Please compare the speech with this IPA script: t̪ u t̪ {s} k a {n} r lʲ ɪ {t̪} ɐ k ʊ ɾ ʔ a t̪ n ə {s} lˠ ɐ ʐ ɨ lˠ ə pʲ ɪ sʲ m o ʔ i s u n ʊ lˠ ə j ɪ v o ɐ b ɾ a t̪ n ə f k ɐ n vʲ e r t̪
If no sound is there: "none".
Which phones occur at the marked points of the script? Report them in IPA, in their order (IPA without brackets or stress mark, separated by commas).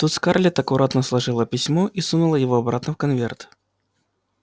s, none, t̪, s